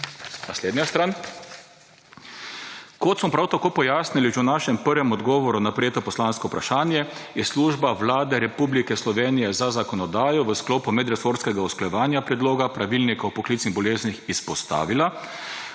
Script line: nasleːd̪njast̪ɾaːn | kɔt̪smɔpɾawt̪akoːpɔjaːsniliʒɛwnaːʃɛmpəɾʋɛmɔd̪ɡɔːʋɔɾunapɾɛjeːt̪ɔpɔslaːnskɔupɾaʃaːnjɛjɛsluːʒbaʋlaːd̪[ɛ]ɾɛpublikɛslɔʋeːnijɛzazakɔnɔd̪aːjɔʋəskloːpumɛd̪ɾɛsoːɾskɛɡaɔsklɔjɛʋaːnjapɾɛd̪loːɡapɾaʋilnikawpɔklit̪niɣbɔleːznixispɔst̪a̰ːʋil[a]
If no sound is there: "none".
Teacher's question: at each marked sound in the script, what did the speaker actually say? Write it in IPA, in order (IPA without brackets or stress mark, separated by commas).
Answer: ɛ, a